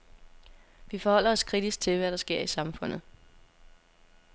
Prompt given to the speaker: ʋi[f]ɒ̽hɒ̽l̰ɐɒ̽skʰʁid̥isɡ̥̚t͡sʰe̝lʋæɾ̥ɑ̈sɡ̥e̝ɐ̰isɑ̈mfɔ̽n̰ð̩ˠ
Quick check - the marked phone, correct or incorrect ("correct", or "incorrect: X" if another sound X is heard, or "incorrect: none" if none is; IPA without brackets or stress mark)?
correct